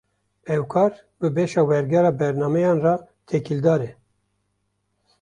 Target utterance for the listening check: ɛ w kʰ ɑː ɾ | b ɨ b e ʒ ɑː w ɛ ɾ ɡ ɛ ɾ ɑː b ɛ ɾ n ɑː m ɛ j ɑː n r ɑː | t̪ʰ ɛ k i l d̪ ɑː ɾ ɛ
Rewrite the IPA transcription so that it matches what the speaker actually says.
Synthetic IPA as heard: ɛ w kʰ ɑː ɾ | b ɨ b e ʃ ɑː w ɛ ɾ ɡ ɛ ɾ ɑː b ɛ ɾ n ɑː m ɛ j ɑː n r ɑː | t̪ʰ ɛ k i l d̪ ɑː ɾ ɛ